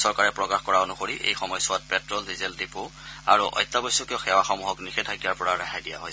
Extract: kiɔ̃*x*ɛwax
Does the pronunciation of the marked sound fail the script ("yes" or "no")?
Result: no